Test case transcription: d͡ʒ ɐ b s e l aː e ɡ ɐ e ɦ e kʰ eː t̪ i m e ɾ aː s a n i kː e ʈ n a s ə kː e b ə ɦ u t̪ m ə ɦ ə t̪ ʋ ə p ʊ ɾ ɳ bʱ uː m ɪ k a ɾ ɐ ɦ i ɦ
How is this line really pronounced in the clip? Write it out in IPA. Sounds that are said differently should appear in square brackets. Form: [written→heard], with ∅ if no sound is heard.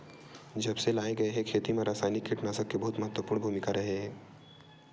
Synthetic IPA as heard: d͡ʒ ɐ b s e l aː e ɡ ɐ e ɦ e kʰ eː t̪ i m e ɾ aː s a n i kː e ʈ n a s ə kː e b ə ɦ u t̪ m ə ɦ ə t̪ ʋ ə p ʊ ɾ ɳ bʱ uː m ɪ k a ɾ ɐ ɦ [i→e] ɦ